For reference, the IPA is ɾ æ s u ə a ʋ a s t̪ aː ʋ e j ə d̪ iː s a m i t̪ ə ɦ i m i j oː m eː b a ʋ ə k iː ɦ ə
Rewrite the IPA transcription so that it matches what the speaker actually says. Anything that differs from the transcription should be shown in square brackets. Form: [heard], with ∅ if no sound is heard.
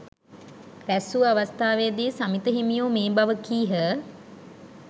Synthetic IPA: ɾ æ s u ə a ʋ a s t̪ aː ʋ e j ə d̪ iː s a m i t̪ ə ɦ i m i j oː m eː b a ʋ ə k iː ɦ ə